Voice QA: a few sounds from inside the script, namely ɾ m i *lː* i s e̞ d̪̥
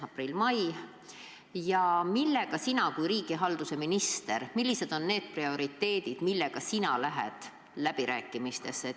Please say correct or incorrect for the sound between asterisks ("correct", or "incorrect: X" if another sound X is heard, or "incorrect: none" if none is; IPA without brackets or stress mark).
correct